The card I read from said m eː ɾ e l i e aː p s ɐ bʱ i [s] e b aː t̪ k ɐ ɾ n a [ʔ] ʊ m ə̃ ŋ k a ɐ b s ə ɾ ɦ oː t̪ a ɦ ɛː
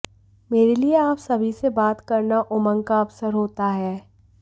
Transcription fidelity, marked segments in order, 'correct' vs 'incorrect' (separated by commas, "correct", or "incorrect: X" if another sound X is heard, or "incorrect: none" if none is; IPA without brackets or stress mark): correct, correct